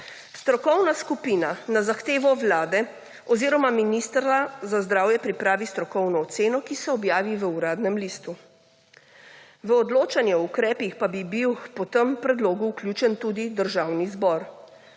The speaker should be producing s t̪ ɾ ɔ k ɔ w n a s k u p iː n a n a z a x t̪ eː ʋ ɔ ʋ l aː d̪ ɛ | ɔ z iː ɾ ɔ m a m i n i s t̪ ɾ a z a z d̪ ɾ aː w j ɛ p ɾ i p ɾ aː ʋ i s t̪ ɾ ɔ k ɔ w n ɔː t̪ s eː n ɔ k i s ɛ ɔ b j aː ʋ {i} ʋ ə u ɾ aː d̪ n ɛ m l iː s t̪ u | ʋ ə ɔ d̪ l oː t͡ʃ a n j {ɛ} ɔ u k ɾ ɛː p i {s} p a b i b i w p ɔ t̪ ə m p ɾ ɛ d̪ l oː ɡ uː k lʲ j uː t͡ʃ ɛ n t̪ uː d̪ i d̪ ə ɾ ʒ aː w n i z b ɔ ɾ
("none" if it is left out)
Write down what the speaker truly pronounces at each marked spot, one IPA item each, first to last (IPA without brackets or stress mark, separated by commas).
i, ɛ, x